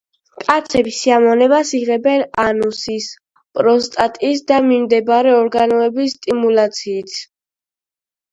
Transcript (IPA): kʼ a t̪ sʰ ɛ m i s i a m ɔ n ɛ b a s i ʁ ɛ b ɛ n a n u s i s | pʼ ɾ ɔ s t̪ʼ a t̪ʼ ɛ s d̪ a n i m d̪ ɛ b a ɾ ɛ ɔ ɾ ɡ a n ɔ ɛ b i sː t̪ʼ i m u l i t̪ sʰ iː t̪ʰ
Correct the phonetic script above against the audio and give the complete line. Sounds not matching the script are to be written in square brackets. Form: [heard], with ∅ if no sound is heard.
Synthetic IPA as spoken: kʼ a t̪ sʰ ɛ [b] i s i a m ɔ n ɛ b a s i ʁ ɛ b ɛ n a n u s i s | pʼ ɾ ɔ s t̪ʼ a t̪ʼ [i] s d̪ a [m] i m d̪ ɛ b a ɾ ɛ ɔ ɾ ɡ a n ɔ ɛ b i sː t̪ʼ i m u l [a] t̪ sʰ iː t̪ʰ